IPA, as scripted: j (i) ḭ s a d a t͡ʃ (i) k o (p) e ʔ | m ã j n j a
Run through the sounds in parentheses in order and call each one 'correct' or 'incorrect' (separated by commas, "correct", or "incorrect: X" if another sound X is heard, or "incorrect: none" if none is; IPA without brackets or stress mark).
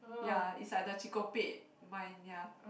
incorrect: a, correct, correct